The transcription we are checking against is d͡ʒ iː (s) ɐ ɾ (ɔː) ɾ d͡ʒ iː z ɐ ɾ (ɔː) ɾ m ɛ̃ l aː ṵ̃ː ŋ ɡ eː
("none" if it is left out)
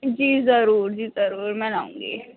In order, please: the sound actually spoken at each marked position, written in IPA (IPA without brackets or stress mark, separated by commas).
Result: z, uː, uː